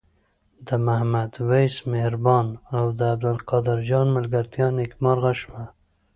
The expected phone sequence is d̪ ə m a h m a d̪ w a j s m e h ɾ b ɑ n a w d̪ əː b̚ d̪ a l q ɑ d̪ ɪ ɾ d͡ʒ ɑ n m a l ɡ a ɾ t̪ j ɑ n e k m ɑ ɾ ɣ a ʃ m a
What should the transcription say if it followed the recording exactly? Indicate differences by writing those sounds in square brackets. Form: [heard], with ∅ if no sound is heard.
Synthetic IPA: d̪ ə m a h m a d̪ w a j s m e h ɾ b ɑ n a w d̪ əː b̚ d̪ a l q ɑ d̪ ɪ ɾ d͡ʒ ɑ n m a l ɡ a ɾ t̪ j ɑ n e k m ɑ ɾ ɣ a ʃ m a